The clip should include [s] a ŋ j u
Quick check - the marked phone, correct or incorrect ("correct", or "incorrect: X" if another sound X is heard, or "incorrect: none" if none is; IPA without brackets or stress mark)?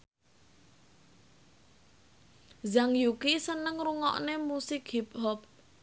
incorrect: z